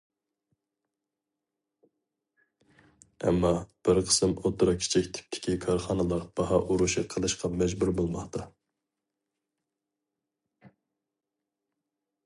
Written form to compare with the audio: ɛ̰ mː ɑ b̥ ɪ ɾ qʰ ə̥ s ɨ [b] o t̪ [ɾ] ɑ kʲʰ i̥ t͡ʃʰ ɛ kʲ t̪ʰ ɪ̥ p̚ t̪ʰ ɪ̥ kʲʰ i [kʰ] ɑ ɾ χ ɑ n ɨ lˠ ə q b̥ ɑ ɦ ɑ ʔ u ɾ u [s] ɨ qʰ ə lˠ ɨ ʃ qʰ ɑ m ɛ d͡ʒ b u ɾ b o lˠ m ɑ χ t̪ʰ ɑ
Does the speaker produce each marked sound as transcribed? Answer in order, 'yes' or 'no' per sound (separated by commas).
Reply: no, yes, yes, no